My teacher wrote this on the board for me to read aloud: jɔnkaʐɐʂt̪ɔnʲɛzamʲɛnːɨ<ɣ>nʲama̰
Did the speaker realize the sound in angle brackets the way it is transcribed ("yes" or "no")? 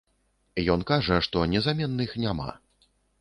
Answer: no